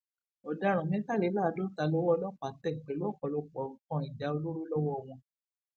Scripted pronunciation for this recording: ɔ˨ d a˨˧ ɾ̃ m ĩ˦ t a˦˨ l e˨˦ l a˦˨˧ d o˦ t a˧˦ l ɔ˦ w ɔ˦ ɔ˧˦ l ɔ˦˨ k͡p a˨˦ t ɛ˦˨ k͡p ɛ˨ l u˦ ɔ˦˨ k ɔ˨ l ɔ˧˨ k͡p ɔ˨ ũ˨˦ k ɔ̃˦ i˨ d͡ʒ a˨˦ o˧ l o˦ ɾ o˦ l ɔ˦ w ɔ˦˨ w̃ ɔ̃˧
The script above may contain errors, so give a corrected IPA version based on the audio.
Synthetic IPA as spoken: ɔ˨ d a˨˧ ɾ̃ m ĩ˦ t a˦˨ l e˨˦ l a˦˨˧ d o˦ t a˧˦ l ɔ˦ w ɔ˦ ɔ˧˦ l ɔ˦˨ k͡p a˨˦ t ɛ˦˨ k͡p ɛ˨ l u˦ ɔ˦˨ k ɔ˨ l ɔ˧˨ k͡p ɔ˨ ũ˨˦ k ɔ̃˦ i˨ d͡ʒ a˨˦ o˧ l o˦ ɾ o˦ l ɔ˦ w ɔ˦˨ w̃ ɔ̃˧